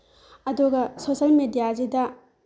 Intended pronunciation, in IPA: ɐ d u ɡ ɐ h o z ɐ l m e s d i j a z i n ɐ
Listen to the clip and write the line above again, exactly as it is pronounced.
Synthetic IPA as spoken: ɐ d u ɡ ɐ s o s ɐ l m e d i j a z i d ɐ